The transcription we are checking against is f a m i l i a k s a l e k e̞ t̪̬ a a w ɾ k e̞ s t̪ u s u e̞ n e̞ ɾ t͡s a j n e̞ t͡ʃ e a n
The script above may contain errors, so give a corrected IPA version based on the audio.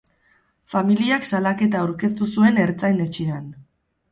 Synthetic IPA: f a m i l i a k s a l a k e̞ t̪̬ a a w ɾ k e̞ s t̪ u s u e̞ n e̞ ɾ t͡s a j n e̞ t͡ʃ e a n